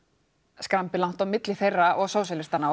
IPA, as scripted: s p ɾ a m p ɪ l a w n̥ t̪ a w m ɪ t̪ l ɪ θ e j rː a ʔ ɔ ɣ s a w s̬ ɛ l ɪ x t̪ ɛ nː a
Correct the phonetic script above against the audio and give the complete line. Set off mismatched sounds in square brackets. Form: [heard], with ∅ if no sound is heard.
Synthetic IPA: s [k] ɾ a m p ɪ l a w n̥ t̪ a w m ɪ t̪ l ɪ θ e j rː a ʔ ɔ ɣ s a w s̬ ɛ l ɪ [s] t̪ [a] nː a